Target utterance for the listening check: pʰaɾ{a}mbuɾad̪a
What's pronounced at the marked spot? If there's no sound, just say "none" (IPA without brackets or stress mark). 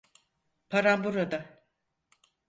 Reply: a